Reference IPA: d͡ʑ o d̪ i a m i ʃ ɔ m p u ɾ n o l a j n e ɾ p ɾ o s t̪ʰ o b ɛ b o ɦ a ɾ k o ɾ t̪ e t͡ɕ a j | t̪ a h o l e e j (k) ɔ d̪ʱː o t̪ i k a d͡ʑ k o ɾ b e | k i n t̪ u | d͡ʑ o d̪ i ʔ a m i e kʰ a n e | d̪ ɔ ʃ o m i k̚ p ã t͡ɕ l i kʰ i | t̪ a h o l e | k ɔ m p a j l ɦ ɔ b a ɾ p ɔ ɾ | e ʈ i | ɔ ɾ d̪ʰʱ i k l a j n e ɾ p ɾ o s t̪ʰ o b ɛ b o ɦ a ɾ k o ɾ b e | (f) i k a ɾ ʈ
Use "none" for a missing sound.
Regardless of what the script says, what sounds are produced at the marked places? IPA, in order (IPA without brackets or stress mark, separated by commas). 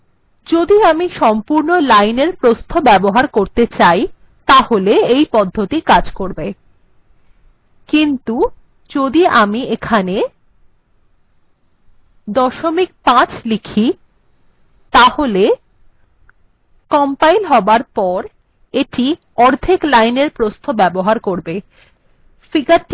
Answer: p, f